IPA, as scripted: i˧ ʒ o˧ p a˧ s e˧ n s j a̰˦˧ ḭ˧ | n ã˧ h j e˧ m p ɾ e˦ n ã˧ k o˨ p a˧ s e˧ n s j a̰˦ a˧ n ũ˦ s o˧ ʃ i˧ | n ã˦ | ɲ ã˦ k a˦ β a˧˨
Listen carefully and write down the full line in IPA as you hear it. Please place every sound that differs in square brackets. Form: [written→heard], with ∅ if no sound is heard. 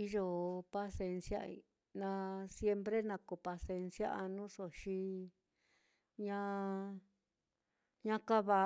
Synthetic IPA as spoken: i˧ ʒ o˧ p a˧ s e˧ n s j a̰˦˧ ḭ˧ | n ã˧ [h→s] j e˧ m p ɾ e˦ n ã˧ k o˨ p a˧ s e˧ n s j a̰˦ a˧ n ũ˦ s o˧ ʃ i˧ | [n→ɲ] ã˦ | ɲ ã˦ k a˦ β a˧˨

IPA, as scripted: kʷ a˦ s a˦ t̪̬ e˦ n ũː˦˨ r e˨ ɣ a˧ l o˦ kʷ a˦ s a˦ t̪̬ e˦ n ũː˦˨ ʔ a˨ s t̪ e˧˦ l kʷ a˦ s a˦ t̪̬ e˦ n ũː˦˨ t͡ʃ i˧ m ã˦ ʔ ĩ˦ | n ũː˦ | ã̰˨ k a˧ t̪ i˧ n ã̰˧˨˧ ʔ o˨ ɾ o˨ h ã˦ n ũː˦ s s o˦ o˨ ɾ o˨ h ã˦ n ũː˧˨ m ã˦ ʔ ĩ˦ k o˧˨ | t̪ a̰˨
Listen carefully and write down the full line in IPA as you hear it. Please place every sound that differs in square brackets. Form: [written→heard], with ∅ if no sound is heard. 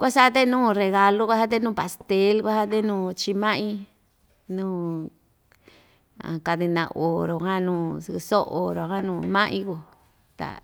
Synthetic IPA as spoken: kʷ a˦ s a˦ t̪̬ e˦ n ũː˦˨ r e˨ ɣ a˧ l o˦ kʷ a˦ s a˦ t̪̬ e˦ n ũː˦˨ [ʔ→p] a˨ s t̪ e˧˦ l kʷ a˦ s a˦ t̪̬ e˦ n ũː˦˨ t͡ʃ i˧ m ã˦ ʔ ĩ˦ | n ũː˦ | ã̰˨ k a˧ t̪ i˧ n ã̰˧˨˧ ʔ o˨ ɾ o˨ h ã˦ n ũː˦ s s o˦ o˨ ɾ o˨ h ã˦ n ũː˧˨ m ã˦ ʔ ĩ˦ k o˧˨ | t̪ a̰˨

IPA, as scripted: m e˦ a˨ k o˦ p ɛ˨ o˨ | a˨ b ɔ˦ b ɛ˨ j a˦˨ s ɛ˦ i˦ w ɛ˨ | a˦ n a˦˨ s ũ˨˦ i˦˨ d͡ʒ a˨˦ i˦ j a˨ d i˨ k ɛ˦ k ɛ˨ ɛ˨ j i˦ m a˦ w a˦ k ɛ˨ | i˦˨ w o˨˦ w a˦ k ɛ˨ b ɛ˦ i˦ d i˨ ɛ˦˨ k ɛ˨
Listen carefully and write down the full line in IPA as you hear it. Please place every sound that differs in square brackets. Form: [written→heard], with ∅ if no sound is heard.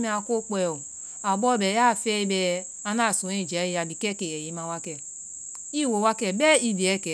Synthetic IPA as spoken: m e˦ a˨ k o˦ [p→k͡p] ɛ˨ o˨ | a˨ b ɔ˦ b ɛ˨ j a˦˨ [s→f] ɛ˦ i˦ [w→b] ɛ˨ | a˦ n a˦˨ s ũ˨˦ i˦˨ d͡ʒ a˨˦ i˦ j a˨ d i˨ k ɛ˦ k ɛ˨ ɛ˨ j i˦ m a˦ w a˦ k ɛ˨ | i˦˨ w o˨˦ w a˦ k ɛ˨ b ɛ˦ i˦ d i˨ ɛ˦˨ k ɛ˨

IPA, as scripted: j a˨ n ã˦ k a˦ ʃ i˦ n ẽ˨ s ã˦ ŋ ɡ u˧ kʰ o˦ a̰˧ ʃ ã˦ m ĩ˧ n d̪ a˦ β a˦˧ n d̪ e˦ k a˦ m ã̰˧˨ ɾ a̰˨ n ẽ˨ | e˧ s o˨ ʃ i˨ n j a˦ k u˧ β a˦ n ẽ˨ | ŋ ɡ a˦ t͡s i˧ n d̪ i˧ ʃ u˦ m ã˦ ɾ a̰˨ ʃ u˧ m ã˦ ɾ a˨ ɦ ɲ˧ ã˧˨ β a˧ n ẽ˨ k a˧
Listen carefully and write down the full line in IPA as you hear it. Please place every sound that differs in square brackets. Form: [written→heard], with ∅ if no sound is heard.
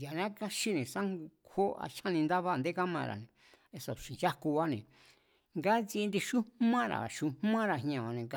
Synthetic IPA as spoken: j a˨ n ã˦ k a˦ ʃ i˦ n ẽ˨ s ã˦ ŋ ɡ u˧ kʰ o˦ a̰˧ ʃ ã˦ [m→n] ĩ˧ n d̪ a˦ β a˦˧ n d̪ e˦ k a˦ m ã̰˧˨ ɾ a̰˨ n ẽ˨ | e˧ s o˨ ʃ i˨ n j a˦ k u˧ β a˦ n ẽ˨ | ŋ ɡ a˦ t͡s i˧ n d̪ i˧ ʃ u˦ m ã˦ ɾ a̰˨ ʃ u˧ m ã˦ ɾ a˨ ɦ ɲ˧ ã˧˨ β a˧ n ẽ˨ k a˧

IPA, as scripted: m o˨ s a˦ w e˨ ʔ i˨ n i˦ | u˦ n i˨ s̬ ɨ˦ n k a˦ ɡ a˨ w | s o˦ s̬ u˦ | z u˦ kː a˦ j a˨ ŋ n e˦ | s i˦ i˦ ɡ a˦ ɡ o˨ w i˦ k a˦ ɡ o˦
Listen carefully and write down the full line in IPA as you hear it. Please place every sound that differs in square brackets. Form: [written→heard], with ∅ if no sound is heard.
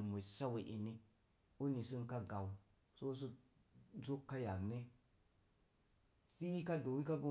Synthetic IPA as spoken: m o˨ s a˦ w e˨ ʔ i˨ n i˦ | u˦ n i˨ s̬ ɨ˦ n k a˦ ɡ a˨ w | s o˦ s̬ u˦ | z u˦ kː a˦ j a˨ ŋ n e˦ | s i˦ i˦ [ɡ→k] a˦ [ɡ→d] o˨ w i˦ k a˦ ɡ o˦

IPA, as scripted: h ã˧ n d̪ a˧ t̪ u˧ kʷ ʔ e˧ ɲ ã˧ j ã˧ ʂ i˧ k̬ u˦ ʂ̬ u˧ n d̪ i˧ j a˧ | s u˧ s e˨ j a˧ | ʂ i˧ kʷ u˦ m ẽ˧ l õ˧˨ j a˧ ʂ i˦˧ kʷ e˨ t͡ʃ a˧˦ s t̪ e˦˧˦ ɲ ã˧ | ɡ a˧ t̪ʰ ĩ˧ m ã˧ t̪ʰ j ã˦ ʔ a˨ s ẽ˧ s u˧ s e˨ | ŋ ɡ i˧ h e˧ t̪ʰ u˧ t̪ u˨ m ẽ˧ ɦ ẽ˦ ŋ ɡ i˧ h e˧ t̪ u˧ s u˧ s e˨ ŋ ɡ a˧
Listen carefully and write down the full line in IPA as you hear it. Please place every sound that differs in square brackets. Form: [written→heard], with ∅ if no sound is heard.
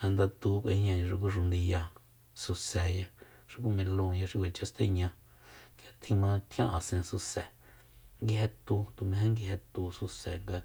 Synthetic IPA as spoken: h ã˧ n d̪ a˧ t̪ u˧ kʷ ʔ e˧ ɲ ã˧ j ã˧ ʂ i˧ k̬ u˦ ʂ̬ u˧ n d̪ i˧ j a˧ | s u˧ s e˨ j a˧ | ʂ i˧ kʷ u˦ m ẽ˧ l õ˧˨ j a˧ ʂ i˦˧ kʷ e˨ t͡ʃ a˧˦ s t̪ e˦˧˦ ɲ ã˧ | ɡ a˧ t̪ʰ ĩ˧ m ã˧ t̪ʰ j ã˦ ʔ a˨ s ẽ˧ s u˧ s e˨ | ŋ ɡ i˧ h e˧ [t̪ʰ→t̪] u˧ t̪ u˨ m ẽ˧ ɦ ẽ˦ ŋ ɡ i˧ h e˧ t̪ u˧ s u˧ s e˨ ŋ ɡ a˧

